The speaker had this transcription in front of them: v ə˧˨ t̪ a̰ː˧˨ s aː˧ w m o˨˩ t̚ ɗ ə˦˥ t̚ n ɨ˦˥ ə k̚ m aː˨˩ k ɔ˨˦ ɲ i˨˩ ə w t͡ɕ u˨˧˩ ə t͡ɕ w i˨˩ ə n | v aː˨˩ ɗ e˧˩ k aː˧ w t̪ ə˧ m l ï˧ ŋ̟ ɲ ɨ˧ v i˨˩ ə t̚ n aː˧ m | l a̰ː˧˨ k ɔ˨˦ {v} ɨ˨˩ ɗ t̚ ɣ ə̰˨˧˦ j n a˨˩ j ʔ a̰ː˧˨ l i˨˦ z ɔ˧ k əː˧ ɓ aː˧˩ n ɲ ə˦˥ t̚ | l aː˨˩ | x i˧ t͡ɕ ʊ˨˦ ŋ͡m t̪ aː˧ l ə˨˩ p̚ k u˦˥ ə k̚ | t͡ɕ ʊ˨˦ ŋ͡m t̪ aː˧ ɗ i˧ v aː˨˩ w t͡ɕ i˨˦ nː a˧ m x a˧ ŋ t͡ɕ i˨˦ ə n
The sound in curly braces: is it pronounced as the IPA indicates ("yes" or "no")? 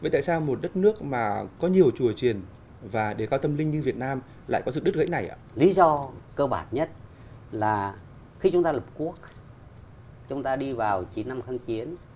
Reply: no